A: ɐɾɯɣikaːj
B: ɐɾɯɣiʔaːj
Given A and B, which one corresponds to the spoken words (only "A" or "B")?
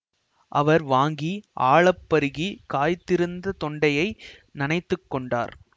A